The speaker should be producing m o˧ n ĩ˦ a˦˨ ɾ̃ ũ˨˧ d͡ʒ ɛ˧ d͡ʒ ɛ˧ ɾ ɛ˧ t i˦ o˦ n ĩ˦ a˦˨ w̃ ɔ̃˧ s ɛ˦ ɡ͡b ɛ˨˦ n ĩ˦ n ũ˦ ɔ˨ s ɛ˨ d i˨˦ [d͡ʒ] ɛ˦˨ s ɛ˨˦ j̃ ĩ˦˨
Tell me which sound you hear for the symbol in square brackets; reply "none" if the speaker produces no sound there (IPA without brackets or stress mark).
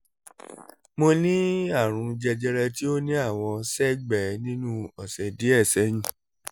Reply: none